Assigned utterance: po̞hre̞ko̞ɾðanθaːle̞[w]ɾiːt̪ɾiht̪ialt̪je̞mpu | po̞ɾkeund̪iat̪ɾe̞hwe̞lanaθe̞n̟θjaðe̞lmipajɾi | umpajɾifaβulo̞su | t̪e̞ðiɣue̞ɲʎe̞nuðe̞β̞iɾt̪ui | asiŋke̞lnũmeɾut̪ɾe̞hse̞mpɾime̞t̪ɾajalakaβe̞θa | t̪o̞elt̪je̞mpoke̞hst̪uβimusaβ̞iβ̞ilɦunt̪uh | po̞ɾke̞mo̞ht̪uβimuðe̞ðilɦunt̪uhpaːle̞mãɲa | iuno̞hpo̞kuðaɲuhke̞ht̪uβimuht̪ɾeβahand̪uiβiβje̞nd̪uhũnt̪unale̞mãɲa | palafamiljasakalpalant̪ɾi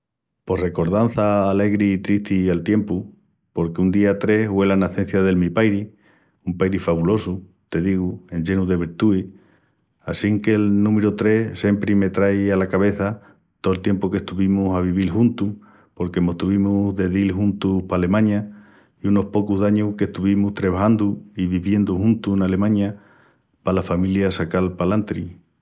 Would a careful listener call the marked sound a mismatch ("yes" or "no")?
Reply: yes